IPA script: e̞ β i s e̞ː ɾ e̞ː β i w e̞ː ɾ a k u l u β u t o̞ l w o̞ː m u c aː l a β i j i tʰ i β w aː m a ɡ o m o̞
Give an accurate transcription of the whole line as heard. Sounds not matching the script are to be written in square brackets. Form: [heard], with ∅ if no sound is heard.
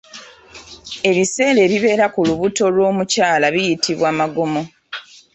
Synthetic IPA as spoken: e̞ β i s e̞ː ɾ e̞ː β i [β] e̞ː ɾ a k u l u β u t o̞ l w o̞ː m u c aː l a β i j i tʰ i β w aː m a ɡ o m o̞